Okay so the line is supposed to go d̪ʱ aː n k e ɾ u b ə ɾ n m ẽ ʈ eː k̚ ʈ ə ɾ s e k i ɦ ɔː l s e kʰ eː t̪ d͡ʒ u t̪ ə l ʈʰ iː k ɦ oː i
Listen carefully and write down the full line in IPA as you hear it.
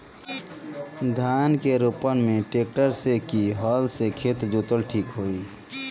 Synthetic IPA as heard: d̪ʱ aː n k e ɾ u p ə n m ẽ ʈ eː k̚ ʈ ə ɾ s e k i ɦ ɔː l s e kʰ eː t̪ d͡ʒ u t̪ ə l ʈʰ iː k ɦ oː i